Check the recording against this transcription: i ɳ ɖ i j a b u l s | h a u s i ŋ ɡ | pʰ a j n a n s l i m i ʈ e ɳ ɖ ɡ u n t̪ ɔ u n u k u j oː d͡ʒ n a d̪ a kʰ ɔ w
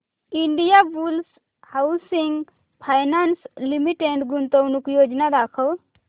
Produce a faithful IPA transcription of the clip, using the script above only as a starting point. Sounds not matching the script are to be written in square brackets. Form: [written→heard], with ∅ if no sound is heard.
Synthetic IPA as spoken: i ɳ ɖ i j a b u l s | h a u s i ŋ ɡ | pʰ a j n a n s l i m i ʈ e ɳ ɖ ɡ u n t̪ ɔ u n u k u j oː d͡ʒ n a d̪ a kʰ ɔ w

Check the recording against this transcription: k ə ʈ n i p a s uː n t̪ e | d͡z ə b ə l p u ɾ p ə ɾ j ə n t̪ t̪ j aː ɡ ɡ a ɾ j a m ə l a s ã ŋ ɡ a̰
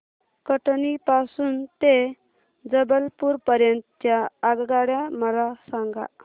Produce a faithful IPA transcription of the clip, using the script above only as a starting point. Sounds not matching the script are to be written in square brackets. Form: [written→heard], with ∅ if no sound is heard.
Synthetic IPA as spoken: k ə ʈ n i p a s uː n t̪ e | d͡z ə b ə l p u ɾ p ə ɾ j ə n t̪ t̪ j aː ɡ ɡ a [ɾ→ɽ] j a m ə l a s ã ŋ ɡ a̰

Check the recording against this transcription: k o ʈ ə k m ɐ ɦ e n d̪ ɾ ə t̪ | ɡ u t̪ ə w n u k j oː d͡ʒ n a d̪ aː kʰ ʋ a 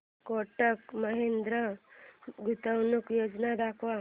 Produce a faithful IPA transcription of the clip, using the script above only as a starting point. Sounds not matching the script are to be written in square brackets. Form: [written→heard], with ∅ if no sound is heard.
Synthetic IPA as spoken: k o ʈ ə k m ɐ ɦ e n d̪ ɾ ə [t̪→∅] | ɡ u t̪ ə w n u k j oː d͡ʒ n a d̪ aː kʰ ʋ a

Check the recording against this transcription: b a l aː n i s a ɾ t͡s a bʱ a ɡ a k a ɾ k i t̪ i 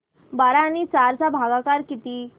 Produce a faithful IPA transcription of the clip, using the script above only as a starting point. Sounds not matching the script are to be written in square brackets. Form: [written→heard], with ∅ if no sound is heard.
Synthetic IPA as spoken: b a [l→ɾ] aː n i [s→t͡s] a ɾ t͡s a bʱ a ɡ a k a ɾ k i t̪ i

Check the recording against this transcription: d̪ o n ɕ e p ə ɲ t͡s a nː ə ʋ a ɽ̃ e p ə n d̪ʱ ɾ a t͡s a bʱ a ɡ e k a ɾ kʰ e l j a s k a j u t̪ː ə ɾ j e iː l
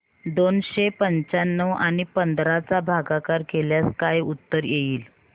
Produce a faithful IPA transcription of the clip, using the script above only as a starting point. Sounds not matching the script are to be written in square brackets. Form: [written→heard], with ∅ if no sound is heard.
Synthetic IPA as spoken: d̪ o n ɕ e p ə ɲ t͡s a nː ə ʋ a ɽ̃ [e→i] p ə n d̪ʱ ɾ a t͡s a bʱ a ɡ [e→a] k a ɾ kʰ e l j a s k a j u t̪ː ə ɾ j e iː l

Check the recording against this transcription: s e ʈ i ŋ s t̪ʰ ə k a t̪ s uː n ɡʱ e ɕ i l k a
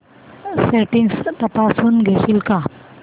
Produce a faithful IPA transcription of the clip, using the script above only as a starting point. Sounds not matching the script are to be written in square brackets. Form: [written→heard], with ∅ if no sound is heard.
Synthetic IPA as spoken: s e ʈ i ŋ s [t̪ʰ→t̪] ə [k→p] a [t̪→∅] s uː n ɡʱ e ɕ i l k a

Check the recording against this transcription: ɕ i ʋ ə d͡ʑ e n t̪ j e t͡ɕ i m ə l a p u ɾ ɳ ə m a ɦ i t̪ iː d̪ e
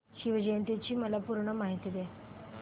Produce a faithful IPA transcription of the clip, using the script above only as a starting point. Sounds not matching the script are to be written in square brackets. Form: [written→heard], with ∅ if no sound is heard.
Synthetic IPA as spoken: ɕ i ʋ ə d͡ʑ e n t̪ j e t͡ɕ [i→iː] m ə l a p u ɾ ɳ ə m a ɦ i t̪ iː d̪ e

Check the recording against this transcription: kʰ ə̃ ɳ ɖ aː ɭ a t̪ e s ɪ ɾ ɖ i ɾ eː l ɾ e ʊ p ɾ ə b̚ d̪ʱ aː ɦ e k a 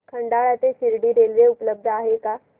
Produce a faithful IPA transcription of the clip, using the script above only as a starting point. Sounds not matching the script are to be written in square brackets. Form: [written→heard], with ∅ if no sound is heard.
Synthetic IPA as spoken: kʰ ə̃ ɳ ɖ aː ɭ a t̪ e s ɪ ɾ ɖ i ɾ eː l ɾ e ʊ p [ɾ→l] ə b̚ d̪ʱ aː ɦ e k a

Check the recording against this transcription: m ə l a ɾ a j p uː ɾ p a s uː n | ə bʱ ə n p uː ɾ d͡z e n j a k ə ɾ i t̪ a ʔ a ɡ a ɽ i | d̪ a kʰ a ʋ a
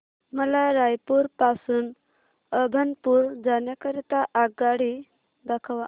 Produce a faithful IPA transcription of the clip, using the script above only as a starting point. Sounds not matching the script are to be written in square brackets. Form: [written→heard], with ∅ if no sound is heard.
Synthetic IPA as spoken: m ə l a ɾ a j p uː ɾ p a s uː n | ə bʱ ə n p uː ɾ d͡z [e→a] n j a k ə ɾ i t̪ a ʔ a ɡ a ɽ i | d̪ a kʰ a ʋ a

